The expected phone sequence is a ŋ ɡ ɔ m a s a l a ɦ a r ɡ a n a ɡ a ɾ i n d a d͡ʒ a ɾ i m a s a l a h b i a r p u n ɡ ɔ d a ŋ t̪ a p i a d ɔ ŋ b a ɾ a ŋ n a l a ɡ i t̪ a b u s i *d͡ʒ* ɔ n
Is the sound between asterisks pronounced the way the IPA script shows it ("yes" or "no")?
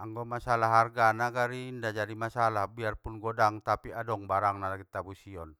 no